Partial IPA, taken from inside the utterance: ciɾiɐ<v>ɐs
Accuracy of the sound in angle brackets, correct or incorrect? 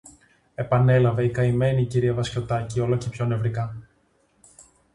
correct